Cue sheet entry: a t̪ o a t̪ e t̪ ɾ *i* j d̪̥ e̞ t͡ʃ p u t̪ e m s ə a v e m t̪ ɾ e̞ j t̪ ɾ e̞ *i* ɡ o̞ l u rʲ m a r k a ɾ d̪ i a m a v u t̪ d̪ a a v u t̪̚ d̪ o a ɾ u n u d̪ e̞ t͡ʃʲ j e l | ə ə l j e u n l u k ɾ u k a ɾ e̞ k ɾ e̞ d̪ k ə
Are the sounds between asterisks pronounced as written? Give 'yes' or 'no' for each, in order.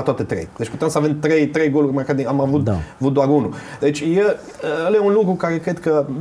no, no

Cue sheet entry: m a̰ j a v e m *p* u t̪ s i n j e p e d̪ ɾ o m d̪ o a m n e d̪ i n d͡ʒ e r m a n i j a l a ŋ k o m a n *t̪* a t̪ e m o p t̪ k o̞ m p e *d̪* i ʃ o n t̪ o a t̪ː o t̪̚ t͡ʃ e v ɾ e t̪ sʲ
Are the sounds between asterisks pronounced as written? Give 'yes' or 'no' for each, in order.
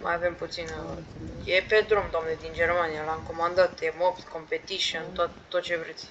yes, no, no

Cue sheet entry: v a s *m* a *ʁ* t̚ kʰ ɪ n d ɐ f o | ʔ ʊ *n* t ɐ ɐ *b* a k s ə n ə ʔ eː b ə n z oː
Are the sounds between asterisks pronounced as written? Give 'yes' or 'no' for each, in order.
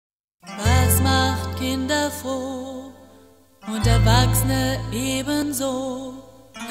yes, no, yes, no

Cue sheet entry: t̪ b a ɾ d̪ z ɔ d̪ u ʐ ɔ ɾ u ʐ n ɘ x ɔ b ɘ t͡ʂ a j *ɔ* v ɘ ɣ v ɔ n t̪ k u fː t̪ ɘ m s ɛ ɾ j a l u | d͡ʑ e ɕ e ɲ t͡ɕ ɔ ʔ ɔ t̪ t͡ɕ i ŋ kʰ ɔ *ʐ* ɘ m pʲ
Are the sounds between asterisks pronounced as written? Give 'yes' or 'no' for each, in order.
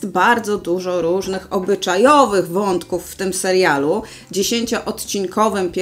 yes, no

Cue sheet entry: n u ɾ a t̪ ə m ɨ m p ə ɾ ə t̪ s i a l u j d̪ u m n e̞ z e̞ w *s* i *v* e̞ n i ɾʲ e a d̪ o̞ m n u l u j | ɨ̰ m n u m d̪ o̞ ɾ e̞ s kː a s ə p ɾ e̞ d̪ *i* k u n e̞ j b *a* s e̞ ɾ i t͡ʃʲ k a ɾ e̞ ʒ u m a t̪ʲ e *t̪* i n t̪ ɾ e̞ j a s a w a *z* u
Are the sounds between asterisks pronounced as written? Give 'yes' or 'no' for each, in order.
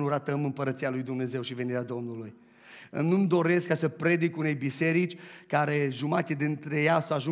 no, yes, yes, no, no, no

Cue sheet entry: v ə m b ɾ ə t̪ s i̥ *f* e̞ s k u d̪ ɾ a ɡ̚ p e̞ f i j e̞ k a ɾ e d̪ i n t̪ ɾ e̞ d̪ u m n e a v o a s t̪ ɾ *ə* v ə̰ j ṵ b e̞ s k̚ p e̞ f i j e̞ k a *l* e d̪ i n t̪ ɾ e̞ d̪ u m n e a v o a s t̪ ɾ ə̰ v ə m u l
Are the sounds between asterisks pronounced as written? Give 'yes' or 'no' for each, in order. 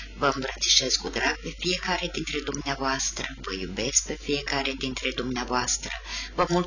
no, yes, no

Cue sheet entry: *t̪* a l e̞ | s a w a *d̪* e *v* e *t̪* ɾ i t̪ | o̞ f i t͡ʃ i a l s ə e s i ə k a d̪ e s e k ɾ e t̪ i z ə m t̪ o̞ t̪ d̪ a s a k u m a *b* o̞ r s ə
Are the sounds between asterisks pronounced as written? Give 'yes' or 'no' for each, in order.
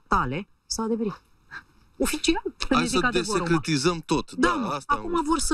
yes, yes, yes, no, no

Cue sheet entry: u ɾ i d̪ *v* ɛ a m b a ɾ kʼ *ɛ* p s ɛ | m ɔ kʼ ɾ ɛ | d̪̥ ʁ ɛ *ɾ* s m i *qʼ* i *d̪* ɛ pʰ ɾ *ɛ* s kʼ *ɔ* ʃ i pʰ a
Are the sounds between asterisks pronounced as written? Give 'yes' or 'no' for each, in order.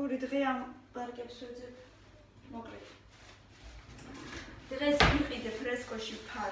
no, yes, no, yes, yes, yes, yes

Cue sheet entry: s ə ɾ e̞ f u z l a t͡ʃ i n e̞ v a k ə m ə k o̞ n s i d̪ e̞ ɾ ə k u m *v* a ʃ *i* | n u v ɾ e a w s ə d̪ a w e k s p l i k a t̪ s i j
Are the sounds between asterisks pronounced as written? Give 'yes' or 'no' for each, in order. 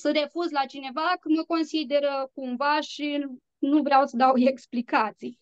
yes, yes

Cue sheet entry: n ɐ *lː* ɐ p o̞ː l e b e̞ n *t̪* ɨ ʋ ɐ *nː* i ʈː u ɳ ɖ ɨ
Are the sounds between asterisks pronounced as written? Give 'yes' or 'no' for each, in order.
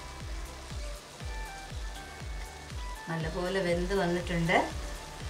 yes, no, yes

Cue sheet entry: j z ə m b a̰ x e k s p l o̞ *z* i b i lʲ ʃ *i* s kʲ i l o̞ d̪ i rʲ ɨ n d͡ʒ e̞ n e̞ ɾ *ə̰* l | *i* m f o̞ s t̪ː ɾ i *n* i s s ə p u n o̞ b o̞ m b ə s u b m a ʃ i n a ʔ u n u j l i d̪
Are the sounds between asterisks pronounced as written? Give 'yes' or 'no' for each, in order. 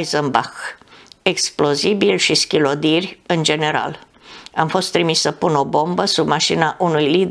yes, yes, no, no, no

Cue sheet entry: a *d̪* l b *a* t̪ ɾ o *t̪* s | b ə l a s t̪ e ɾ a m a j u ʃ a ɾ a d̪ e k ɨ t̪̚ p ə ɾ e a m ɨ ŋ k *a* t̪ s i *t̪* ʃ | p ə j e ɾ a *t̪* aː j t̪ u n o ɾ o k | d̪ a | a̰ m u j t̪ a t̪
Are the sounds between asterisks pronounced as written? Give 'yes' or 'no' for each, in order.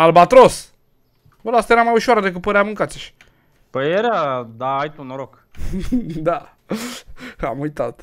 no, yes, no, yes, no, no

